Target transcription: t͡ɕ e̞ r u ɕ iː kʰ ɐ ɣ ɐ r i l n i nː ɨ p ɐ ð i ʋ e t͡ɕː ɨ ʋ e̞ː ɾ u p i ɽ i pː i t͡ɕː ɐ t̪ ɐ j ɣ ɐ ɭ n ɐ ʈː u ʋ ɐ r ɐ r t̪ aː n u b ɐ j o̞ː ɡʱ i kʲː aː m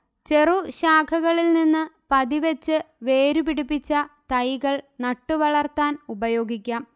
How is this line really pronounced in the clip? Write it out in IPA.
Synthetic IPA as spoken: t͡ɕ e̞ r u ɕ aː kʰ ɐ ɣ ɐ ɭ i l n i nː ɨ p ɐ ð i ʋ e t͡ɕː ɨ ʋ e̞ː ɾ u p i ɽ i pː i t͡ɕː ɐ t̪ ɐ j ɣ ɐ ɭ n ɐ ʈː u ʋ ɐ ɭ ɐ r t̪ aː n u b ɐ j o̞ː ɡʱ i kʲː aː m